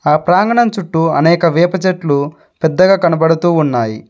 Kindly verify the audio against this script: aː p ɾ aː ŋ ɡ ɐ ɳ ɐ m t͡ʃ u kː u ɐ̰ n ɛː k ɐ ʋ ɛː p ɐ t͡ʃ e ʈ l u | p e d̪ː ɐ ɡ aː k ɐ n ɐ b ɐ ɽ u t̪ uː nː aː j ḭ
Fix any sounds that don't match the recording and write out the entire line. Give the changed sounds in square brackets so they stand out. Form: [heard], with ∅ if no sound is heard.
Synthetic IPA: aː p ɾ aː ŋ ɡ ɐ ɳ ɐ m t͡ʃ u [ʈː] u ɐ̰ n ɛː k ɐ ʋ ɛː p ɐ t͡ʃ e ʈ l u | p [ɛ] d̪ː ɐ ɡ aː k ɐ n ɐ b ɐ ɽ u t̪ uː nː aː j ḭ